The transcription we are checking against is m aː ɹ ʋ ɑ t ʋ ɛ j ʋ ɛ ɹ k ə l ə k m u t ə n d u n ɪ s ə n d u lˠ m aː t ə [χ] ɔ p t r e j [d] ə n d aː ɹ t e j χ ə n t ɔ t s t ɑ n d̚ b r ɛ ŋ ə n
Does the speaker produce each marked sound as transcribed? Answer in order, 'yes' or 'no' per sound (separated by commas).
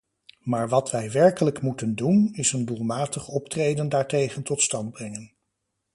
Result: yes, yes